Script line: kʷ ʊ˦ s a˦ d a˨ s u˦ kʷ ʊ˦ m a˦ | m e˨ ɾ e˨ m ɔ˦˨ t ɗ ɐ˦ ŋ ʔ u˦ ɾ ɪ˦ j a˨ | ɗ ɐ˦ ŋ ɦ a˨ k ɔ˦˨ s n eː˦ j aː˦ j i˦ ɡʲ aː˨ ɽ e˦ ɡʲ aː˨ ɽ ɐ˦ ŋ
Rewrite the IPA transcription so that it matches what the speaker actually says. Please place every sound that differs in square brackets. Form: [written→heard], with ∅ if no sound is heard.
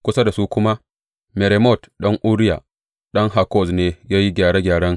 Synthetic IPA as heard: kʷ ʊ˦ s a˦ d a˨ s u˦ kʷ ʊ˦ m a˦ | m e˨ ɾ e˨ m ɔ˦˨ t ɗ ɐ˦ ŋ ʔ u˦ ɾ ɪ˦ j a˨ | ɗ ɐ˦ ŋ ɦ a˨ k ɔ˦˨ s n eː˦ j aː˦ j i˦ ɡʲ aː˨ ɽ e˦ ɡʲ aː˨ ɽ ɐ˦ ŋ